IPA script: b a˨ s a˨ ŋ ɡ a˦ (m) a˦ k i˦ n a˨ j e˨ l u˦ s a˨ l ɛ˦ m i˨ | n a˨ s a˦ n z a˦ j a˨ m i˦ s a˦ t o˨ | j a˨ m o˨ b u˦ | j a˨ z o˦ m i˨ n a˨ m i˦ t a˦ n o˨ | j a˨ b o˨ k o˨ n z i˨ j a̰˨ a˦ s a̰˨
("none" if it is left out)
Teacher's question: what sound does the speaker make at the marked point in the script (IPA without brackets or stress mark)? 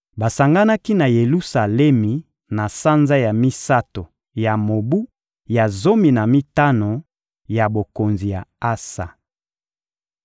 n